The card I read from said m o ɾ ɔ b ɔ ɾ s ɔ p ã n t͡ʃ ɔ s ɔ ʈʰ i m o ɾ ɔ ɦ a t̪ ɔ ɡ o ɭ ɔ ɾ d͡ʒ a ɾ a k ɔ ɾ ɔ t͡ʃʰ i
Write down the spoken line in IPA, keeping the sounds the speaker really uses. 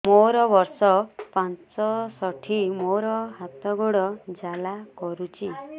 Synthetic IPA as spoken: m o ɾ ɔ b ɔ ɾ s ɔ p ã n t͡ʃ ɔ s ɔ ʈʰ i m o ɾ ɔ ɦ a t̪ ɔ ɡ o ɽ ɔ d͡ʒ a l a k ɔ ɾ u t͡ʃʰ i